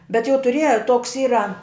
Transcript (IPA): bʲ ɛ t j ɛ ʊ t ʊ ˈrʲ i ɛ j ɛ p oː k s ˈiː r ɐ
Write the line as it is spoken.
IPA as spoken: bʲ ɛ t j ɛ ʊ t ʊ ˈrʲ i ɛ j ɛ t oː k s ˈiː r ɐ